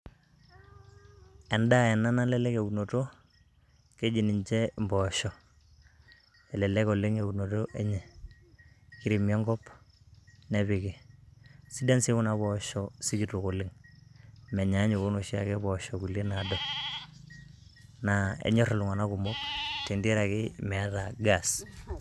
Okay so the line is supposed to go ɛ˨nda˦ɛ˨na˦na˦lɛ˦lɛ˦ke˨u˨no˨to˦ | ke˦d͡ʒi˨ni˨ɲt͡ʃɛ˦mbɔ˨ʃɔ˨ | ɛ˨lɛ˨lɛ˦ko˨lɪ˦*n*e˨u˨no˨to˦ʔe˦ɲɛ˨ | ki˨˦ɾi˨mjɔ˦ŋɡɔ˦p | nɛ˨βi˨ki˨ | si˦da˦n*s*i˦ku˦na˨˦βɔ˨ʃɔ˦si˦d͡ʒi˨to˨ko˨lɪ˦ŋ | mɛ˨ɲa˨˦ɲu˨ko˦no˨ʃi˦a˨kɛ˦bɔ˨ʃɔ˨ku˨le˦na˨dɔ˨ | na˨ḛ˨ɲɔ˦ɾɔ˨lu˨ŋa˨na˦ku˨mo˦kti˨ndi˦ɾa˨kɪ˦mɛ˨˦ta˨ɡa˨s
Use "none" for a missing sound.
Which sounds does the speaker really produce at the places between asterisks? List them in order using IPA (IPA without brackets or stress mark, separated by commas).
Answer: ŋ, s